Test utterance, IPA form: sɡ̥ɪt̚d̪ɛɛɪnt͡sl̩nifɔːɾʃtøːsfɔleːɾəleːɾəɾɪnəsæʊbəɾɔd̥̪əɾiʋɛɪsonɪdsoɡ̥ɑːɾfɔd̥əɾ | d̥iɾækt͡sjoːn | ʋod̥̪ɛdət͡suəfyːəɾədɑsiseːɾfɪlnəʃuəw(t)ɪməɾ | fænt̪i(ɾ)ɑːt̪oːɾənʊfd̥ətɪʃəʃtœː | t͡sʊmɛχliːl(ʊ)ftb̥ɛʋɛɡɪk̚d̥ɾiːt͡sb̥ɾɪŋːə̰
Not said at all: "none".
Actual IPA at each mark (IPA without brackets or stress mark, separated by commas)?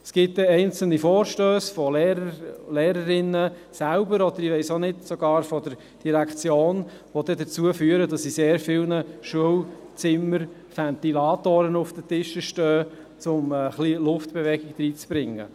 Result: t͡s, l, ʊ